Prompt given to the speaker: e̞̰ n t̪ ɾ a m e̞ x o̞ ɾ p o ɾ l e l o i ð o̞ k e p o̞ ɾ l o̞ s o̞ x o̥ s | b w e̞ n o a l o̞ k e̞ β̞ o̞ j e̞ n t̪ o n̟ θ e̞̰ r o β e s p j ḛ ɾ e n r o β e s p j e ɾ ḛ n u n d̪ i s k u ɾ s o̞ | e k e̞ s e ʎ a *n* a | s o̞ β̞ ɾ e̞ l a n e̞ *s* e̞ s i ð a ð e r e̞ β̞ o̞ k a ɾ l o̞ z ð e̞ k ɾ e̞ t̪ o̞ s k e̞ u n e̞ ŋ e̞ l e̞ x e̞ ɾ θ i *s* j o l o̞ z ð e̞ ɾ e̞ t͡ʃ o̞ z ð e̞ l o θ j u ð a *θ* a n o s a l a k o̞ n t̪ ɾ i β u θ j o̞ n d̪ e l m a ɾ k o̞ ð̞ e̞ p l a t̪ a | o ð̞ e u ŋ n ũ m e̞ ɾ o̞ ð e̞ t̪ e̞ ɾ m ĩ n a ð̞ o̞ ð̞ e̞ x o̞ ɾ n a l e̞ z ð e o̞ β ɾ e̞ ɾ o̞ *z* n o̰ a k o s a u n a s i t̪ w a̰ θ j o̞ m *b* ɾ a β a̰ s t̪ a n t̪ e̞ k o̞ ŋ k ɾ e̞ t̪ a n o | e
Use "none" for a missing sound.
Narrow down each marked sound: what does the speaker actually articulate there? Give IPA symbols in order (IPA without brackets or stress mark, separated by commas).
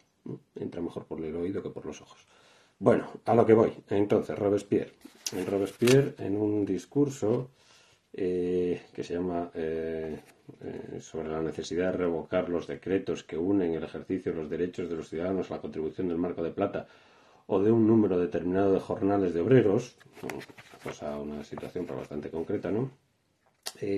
m, θ, θ, ð, s, p